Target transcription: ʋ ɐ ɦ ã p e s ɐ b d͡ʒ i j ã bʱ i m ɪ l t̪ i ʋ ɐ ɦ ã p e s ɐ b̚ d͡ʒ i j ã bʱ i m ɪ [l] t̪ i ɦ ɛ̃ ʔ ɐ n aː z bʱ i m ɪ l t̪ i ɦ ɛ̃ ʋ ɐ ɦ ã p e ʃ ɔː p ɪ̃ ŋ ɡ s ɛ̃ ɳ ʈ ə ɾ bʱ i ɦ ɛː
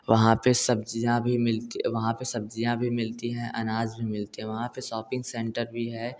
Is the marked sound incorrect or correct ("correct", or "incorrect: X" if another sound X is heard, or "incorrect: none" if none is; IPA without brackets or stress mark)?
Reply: correct